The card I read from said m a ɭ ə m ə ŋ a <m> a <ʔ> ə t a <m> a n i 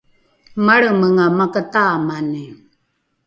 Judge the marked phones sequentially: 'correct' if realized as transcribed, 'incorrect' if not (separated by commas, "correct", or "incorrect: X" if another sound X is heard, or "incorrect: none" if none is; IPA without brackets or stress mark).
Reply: correct, incorrect: k, correct